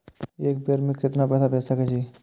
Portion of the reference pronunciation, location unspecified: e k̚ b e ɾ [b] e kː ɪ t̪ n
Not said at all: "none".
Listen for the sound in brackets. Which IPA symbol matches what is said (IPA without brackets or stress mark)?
m